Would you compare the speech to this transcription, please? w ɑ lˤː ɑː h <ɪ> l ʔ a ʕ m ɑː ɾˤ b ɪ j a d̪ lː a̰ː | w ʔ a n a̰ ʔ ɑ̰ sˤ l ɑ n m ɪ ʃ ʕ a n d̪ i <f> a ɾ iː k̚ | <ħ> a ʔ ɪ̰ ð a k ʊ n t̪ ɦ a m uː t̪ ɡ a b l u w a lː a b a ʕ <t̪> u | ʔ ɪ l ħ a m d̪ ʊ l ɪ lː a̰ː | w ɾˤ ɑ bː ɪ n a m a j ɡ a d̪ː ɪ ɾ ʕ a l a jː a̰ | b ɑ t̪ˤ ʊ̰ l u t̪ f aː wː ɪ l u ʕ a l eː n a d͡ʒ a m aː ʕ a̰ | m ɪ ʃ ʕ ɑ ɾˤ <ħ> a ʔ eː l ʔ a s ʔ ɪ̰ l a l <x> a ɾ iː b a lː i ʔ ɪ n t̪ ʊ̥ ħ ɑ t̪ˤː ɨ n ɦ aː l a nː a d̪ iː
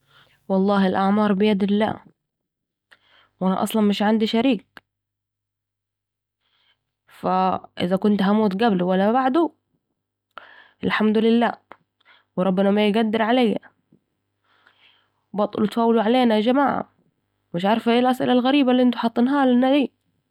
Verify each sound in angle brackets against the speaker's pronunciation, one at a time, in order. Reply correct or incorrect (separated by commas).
correct, incorrect, incorrect, incorrect, incorrect, incorrect